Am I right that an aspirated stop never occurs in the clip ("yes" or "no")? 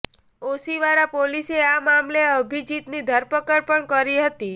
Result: yes